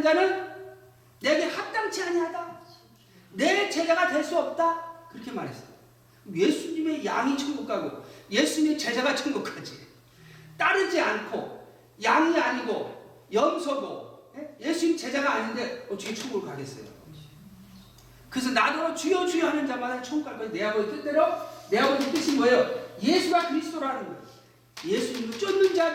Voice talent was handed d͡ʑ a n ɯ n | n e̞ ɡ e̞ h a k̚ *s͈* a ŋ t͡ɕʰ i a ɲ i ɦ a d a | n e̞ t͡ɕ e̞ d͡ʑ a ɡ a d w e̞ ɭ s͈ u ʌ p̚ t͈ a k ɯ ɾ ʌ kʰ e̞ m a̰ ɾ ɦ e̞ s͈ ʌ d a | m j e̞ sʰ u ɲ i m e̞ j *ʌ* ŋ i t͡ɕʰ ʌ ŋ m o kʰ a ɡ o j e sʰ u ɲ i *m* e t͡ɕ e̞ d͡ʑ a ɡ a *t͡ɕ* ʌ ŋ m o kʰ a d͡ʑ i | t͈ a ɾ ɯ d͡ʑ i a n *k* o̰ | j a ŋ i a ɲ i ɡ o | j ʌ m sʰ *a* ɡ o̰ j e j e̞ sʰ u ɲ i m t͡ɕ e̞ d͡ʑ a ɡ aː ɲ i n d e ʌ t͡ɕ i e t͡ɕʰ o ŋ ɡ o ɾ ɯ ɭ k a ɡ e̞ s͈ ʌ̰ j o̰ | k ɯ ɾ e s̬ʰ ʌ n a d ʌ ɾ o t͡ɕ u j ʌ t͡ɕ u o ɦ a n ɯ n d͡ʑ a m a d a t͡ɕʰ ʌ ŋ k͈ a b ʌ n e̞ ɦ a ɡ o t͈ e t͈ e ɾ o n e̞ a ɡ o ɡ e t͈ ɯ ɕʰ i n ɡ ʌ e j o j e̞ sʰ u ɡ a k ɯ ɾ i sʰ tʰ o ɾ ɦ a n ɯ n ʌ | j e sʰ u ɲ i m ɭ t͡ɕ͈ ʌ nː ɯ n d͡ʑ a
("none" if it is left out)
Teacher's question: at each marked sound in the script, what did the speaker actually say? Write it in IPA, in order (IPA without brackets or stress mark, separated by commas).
t͈, a, m, t͡ɕʰ, kʰ, ʌ